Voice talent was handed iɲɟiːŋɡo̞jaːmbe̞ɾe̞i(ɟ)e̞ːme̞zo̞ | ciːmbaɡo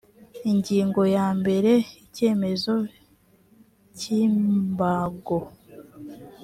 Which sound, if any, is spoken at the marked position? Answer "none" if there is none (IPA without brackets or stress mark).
c